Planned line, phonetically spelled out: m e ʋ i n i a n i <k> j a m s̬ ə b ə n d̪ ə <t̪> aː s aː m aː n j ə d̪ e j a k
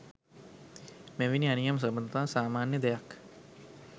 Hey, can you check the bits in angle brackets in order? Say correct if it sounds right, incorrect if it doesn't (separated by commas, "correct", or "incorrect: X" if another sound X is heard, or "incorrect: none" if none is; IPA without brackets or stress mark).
incorrect: none, correct